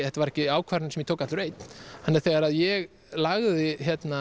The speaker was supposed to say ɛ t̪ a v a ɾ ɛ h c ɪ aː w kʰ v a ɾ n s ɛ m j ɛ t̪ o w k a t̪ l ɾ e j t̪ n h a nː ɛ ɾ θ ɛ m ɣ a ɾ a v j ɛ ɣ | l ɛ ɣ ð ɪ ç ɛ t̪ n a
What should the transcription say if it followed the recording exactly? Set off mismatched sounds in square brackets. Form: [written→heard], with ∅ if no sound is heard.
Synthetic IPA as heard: ɛ t̪ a v a ɾ ɛ h c ɪ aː w kʰ v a ɾ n s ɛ m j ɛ [t̪→t̪ʰ] o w k a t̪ l ɾ e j t̪ n h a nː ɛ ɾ θ ɛ [m→∅] ɣ a ɾ a [v→ð] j ɛ ɣ | l [ɛ→a] ɣ ð ɪ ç ɛ t̪ n a